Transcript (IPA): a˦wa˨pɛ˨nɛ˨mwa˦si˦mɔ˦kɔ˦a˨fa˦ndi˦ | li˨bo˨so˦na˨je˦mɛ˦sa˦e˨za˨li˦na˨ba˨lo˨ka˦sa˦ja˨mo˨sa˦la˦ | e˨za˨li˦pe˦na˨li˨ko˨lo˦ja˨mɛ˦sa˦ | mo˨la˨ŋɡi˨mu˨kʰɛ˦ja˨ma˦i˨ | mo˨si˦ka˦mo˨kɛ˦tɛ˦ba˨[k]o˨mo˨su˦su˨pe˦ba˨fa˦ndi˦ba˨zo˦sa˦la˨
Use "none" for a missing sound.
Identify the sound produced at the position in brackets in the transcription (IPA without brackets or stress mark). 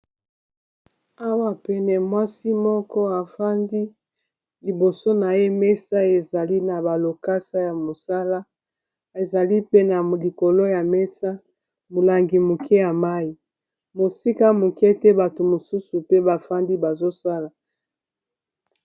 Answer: t